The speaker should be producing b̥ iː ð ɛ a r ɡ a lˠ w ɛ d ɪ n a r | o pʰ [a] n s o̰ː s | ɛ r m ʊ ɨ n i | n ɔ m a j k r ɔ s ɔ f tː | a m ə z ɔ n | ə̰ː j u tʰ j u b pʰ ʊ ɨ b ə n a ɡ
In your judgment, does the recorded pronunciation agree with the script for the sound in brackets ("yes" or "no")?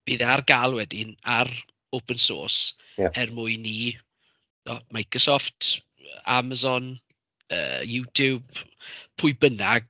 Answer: no